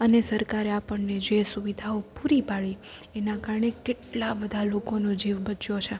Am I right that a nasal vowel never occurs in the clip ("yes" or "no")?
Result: yes